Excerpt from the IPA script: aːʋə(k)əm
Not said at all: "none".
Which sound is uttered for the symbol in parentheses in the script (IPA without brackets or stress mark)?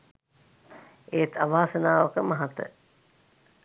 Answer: k